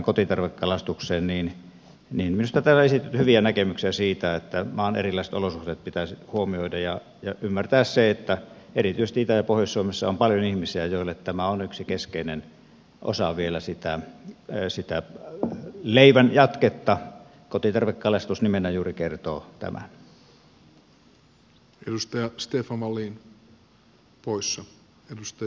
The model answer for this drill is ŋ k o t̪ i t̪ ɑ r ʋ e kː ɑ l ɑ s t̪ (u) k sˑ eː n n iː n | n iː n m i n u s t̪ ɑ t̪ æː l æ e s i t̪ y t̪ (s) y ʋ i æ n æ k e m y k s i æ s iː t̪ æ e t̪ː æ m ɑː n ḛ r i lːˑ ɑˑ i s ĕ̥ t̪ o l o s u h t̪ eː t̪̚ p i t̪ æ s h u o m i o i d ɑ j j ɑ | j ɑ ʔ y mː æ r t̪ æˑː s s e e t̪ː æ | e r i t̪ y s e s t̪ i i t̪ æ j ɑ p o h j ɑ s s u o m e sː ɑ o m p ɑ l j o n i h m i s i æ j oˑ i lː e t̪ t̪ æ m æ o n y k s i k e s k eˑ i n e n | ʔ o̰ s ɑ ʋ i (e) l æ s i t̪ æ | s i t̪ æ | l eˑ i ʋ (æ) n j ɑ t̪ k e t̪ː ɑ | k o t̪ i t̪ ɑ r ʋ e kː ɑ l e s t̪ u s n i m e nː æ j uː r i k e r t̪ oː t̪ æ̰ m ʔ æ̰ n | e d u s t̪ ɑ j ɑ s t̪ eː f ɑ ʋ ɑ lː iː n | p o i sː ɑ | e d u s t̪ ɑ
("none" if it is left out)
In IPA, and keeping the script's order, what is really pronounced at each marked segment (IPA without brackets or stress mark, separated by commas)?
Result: u, h, e, æ